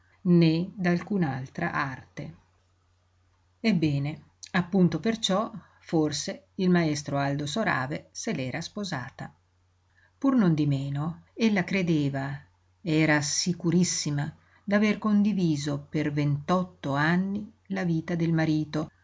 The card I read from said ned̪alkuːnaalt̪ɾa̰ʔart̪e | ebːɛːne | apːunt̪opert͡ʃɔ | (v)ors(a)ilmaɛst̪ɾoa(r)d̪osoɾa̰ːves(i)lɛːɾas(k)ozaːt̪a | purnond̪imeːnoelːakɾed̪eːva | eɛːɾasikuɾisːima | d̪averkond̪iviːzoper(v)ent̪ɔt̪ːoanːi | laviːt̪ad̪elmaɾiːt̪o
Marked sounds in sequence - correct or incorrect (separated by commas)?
incorrect, incorrect, incorrect, incorrect, incorrect, correct